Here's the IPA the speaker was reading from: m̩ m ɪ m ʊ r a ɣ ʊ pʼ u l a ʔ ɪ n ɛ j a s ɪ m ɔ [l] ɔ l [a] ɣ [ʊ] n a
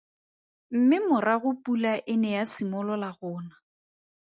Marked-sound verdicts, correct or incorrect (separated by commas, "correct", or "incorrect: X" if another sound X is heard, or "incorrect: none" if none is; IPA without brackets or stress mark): correct, correct, incorrect: ʊː